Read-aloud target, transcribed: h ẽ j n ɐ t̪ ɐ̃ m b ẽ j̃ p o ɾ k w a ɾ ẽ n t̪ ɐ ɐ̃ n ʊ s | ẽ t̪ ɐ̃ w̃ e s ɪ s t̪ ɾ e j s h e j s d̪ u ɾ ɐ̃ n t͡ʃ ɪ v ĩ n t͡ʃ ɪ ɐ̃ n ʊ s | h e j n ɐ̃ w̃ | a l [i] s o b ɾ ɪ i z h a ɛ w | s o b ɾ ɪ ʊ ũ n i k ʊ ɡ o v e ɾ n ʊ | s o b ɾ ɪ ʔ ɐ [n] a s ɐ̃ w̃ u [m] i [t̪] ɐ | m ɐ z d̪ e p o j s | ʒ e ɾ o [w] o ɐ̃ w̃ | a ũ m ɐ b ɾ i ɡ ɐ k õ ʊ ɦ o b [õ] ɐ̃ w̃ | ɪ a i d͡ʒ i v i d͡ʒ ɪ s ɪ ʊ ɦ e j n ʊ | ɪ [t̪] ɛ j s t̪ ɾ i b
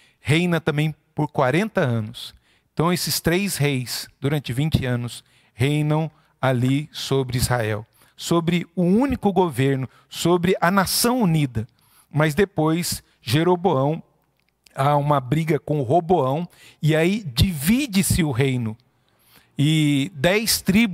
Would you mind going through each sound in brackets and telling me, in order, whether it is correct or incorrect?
correct, correct, incorrect, incorrect, incorrect, incorrect, incorrect

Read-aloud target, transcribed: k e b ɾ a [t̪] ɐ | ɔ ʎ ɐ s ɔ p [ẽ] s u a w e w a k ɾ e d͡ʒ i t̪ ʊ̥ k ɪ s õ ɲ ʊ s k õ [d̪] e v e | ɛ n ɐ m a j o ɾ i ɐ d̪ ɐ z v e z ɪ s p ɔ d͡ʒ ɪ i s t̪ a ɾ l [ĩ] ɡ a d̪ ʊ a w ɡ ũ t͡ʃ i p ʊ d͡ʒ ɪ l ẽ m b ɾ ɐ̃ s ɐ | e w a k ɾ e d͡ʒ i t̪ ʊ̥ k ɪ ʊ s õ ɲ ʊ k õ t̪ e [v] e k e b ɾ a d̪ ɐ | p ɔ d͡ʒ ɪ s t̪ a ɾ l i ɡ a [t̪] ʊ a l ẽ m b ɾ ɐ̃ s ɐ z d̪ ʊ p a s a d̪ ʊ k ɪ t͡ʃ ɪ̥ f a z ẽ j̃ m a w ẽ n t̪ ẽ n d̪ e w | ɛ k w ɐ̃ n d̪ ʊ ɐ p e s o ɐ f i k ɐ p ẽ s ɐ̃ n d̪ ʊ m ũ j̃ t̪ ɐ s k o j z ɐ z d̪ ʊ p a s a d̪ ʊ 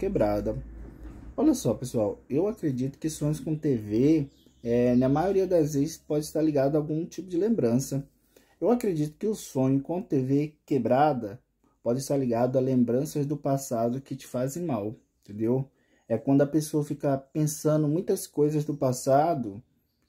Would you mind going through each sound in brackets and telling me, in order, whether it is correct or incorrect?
incorrect, incorrect, incorrect, incorrect, correct, incorrect

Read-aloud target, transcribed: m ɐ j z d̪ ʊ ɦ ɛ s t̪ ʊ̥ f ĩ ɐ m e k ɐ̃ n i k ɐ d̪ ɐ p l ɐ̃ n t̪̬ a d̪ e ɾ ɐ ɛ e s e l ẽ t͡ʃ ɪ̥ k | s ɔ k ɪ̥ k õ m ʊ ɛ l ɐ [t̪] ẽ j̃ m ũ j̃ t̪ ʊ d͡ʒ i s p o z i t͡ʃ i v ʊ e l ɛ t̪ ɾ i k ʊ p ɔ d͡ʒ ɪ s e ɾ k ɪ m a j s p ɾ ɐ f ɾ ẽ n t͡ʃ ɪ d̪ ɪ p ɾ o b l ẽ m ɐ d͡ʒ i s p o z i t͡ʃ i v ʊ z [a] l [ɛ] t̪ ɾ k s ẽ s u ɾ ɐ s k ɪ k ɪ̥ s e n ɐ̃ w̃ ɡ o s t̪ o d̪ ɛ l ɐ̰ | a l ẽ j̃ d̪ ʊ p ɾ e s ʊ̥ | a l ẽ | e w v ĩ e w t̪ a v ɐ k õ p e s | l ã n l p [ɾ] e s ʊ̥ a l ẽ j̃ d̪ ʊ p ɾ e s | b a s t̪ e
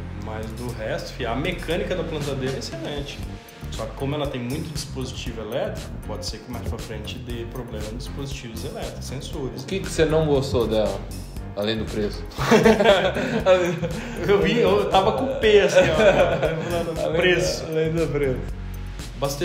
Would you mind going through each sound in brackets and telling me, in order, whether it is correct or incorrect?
correct, incorrect, correct, correct

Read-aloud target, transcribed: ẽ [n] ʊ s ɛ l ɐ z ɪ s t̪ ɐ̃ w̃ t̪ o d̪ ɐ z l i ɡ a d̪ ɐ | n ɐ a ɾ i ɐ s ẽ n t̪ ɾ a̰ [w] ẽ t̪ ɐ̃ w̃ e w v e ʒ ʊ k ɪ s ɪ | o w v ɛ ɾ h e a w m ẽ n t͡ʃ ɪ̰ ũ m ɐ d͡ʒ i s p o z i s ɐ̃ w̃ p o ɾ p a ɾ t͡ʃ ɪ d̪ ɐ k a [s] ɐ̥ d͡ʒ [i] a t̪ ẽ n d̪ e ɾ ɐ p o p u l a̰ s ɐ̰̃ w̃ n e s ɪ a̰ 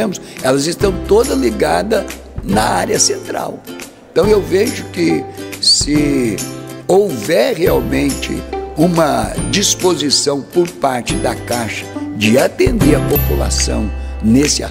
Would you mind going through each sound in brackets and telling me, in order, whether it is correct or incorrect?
incorrect, correct, incorrect, incorrect

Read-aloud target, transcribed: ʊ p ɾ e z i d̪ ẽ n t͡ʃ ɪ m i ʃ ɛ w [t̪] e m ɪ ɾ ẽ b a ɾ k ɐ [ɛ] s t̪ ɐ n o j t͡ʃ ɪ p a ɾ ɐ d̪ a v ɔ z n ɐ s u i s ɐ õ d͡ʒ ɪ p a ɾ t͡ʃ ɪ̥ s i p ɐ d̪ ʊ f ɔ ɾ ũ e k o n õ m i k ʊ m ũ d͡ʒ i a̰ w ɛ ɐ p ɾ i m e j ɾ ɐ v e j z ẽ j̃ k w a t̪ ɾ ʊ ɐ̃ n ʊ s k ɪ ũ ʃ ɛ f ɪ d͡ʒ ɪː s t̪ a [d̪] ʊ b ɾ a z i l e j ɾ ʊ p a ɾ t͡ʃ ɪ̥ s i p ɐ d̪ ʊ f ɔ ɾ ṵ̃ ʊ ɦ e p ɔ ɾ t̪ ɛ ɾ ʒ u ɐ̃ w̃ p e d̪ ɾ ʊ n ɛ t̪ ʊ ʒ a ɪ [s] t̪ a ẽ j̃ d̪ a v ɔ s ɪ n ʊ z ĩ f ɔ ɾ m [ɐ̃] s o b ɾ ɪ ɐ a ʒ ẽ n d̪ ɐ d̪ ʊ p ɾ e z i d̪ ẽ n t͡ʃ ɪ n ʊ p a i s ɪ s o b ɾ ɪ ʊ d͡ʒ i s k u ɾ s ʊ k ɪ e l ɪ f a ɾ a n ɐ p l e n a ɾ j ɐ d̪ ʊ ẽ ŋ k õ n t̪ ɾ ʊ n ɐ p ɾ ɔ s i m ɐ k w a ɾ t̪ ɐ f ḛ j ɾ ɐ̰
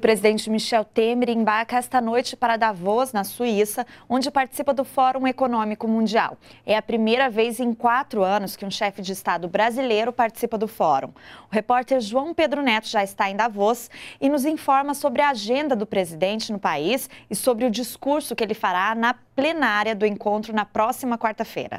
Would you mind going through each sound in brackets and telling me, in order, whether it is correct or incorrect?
correct, correct, correct, correct, incorrect

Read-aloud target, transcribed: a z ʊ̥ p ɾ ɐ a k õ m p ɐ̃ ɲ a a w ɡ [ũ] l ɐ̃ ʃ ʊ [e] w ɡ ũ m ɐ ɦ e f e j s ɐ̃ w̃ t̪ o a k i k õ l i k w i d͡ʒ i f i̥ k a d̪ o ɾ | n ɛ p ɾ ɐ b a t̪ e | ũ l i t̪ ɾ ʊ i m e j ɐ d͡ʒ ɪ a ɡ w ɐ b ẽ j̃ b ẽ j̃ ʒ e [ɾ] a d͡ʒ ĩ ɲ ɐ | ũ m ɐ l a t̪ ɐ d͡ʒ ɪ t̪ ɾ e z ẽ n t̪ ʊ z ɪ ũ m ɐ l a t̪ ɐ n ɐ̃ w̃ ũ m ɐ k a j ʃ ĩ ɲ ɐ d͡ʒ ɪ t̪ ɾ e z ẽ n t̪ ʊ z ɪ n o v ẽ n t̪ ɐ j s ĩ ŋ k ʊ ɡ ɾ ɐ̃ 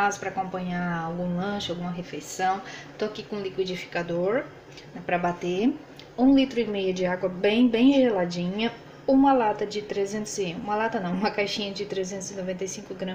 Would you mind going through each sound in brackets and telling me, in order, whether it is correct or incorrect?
correct, incorrect, incorrect

